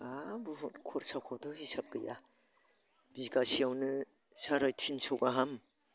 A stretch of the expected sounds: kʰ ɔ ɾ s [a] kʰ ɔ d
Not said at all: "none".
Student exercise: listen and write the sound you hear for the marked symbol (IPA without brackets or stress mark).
a